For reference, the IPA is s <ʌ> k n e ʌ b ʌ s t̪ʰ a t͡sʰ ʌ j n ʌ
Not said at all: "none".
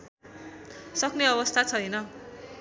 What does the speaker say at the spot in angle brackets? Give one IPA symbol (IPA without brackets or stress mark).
ʌ